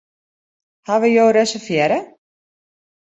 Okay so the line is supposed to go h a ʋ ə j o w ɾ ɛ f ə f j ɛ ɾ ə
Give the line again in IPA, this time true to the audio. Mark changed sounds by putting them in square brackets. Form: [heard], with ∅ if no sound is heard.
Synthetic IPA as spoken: h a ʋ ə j o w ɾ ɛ [s] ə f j ɛ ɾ ə